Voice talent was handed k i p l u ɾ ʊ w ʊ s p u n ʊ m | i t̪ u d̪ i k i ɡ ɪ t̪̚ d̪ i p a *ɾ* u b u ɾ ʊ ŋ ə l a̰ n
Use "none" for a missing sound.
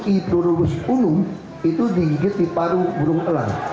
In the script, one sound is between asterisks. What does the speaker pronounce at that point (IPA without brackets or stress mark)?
ɾ